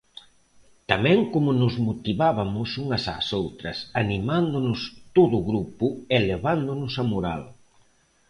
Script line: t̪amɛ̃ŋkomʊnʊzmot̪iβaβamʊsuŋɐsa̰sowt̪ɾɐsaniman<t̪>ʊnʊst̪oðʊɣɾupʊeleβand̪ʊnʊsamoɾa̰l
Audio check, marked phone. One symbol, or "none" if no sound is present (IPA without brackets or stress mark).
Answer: d̪